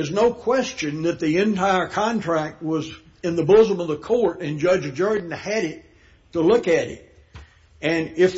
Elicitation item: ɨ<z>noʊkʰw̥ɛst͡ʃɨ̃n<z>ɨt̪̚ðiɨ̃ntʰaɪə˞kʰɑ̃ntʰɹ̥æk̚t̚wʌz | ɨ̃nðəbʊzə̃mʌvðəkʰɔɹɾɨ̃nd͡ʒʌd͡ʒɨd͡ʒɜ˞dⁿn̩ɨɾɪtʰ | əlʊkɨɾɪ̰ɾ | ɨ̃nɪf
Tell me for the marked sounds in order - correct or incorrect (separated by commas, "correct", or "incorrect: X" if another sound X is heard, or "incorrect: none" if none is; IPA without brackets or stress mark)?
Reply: correct, incorrect: ð